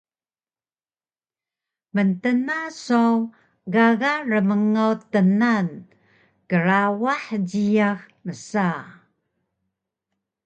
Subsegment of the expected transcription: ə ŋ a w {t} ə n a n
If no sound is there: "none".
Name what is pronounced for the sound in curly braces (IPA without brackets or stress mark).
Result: t